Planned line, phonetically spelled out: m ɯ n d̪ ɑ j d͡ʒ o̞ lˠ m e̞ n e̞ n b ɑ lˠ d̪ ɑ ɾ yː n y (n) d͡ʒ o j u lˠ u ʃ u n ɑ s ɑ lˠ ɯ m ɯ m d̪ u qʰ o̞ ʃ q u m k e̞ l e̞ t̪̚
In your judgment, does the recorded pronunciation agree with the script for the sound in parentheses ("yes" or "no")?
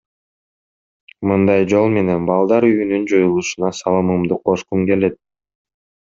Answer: yes